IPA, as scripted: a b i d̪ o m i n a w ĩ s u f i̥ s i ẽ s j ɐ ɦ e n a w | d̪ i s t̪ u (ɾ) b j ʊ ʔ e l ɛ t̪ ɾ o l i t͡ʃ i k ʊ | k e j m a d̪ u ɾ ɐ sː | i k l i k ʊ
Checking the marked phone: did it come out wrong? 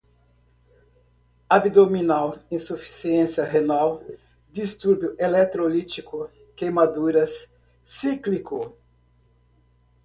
no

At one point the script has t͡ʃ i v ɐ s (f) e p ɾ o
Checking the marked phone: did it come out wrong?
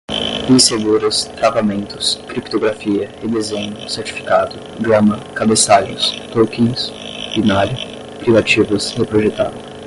yes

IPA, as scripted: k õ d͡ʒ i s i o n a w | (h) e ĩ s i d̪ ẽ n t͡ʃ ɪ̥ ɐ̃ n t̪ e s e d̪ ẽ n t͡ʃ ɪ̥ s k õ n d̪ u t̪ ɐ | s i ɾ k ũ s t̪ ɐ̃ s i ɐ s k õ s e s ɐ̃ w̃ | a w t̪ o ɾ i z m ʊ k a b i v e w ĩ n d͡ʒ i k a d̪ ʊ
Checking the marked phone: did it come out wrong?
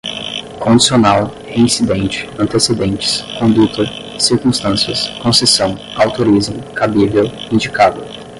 no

